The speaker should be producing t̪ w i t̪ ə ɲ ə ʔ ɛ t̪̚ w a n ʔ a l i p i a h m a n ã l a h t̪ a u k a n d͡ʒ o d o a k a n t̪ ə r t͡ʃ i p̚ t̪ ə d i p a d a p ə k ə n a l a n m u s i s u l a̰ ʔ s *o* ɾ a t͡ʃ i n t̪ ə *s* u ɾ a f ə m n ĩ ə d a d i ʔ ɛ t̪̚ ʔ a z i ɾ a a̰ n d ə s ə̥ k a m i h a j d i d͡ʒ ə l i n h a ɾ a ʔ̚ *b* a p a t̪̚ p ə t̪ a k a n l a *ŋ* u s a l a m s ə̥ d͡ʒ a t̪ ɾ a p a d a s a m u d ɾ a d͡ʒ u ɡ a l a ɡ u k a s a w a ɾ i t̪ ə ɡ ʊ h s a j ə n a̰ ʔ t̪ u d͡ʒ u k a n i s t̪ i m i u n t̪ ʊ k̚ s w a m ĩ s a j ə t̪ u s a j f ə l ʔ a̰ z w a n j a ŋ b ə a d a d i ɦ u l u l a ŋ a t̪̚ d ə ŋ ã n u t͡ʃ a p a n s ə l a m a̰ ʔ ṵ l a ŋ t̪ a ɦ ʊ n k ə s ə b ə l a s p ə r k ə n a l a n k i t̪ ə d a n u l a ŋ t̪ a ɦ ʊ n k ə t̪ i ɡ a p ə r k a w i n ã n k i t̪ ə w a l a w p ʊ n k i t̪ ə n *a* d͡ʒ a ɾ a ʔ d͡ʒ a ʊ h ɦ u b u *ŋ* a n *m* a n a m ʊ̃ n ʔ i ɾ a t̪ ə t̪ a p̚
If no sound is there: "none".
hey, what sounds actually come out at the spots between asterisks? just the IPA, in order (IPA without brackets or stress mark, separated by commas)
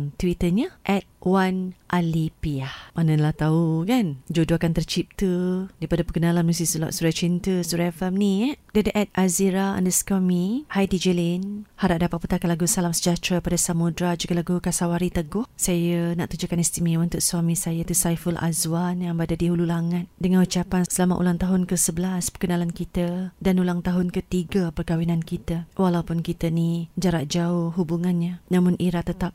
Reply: u, s, d, ɡ, i, ŋ, ɲ